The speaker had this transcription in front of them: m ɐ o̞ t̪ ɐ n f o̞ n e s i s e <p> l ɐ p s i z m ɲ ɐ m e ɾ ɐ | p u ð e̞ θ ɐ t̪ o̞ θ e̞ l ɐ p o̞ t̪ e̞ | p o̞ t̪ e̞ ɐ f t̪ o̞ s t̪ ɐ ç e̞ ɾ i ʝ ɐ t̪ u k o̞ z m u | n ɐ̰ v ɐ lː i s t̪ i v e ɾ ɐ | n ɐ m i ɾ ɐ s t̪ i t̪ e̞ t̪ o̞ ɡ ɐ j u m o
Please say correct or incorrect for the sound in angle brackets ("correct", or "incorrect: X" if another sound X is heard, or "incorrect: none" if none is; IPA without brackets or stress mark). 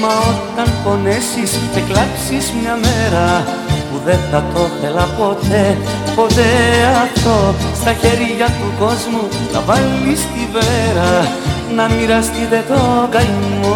incorrect: k